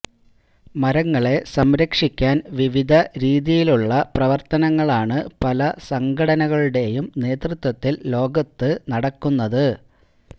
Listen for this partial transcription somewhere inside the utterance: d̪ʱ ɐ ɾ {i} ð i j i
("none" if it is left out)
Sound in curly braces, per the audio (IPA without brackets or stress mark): iː